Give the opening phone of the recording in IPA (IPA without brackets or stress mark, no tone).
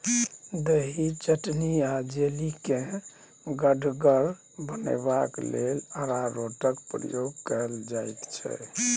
d̪